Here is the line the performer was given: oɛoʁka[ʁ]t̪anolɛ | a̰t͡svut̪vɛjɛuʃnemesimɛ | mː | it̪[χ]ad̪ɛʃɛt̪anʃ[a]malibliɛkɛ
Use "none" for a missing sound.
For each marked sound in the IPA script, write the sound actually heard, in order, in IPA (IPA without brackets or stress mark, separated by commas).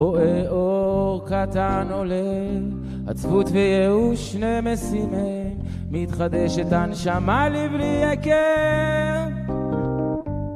none, χ, a